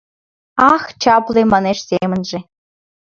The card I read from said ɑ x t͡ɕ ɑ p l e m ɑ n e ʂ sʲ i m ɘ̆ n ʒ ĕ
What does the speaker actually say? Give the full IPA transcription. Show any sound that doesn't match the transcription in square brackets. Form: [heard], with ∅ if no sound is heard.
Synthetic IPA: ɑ x t͡ɕ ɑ p l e m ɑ n e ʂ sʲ [e] m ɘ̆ n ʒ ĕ

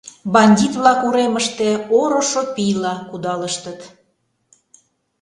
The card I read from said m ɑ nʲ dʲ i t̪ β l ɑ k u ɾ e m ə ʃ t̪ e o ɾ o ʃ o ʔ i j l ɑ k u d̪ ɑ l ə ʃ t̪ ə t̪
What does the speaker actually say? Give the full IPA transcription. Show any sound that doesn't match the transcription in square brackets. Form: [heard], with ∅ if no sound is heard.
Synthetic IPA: [b] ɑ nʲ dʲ i t̪ β l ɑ k u ɾ e m ə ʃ t̪ e o ɾ o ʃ o [p] i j l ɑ k u d̪ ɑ l ə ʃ t̪ ə t̪

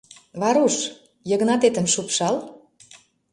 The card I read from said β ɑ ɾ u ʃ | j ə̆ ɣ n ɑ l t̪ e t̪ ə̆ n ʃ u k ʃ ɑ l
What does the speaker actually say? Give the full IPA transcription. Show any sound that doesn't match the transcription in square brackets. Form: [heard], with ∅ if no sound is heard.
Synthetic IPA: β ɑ ɾ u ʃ | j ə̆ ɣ n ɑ [∅] t̪ e t̪ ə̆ [m] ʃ u [p] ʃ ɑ l

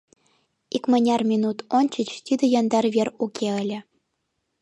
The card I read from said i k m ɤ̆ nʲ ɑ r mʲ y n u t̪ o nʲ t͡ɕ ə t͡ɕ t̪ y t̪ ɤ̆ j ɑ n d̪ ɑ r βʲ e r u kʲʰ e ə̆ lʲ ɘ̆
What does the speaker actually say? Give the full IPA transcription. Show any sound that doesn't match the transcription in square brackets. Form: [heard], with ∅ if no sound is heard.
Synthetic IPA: i k m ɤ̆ nʲ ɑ r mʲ [i] n u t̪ o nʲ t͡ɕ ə t͡ɕ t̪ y [d̪] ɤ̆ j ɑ n d̪ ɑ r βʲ e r u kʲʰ e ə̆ lʲ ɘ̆

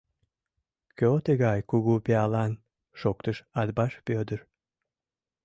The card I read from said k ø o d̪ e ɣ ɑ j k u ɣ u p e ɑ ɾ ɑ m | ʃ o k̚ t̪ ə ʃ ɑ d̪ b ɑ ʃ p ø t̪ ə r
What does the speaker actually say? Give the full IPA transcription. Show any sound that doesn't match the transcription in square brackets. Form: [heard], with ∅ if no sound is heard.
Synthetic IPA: k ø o [t̪] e ɣ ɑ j k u ɣ u p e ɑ [l] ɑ [n] | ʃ o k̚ t̪ ə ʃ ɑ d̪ b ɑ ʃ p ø [d̪] ə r

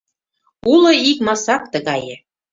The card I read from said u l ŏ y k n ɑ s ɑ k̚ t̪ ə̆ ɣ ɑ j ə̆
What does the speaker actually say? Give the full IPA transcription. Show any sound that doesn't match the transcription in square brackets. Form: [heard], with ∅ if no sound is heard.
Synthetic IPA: u l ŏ [i] k [m] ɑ s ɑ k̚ t̪ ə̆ ɣ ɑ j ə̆

